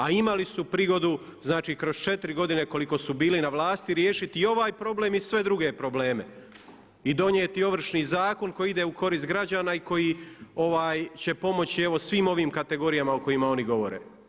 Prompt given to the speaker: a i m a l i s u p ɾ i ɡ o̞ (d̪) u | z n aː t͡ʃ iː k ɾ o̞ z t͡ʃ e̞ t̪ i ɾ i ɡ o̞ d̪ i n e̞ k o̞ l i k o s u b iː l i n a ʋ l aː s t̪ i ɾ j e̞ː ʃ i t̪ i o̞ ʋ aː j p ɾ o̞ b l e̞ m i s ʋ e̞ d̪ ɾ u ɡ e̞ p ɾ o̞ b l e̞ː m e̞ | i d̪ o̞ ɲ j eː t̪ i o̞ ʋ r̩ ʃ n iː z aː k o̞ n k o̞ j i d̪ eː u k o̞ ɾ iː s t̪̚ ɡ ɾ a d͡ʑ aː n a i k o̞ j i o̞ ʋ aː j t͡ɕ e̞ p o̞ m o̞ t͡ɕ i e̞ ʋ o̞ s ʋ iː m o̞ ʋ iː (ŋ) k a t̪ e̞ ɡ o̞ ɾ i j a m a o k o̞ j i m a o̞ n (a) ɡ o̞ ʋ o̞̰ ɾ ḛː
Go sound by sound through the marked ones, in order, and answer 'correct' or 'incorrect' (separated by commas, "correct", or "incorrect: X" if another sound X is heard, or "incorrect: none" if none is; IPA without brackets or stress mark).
correct, incorrect: m, incorrect: i